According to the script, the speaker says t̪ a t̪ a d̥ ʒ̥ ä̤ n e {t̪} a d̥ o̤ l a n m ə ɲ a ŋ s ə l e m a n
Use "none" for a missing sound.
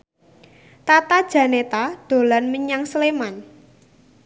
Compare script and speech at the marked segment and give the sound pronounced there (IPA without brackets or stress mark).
t̪